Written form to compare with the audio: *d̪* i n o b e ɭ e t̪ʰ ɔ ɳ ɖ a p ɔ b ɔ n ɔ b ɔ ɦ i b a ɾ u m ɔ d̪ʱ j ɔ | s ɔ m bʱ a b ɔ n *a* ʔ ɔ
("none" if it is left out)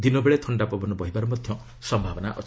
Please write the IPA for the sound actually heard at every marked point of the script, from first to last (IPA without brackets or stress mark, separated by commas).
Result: d̪, a